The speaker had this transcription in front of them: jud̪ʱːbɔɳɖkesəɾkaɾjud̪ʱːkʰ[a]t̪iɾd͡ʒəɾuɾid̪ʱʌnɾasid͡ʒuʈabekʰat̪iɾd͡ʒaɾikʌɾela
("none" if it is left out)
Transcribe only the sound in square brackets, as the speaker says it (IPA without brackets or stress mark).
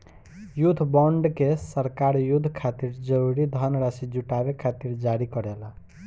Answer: a